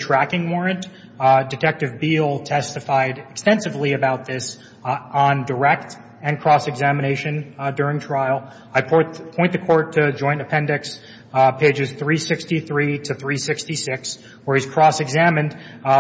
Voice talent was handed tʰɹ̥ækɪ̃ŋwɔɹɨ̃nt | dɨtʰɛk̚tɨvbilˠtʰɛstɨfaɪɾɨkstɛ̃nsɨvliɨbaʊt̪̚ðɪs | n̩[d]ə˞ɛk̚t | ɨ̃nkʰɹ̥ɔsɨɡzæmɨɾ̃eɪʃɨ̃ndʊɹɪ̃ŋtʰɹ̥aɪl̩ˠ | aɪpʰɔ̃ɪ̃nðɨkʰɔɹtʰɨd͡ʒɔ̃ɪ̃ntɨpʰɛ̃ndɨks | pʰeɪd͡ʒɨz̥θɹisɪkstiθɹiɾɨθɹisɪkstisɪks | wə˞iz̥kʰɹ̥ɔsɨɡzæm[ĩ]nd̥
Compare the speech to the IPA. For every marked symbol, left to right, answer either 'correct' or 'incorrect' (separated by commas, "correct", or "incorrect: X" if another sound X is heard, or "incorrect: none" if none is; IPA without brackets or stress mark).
correct, incorrect: ɨ̃